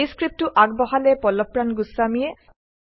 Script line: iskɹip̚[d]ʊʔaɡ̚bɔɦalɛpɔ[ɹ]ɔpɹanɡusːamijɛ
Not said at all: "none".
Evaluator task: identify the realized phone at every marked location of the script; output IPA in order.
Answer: t, l

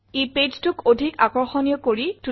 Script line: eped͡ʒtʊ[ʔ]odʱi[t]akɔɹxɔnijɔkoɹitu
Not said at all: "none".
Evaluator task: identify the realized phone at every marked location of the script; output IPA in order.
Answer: k, k

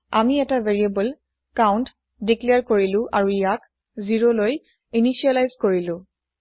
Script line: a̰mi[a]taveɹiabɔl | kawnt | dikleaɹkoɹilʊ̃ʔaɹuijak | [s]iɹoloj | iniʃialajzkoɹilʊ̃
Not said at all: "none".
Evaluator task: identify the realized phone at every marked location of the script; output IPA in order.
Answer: ɛ, z

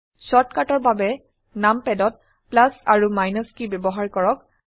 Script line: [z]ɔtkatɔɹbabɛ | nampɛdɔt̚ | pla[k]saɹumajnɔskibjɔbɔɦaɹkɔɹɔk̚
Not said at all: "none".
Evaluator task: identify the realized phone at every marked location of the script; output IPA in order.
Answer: s, none

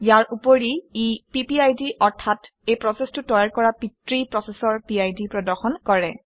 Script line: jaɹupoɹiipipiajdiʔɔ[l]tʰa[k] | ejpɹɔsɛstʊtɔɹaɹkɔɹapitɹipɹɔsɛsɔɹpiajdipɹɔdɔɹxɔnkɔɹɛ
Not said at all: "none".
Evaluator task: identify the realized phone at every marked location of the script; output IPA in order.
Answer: ɹ, t

